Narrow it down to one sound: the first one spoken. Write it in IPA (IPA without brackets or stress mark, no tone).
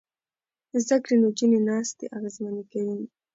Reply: z